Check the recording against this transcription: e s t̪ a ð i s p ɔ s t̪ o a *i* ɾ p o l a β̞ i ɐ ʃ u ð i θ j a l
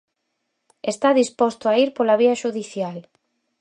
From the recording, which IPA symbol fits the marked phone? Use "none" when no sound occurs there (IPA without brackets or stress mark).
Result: i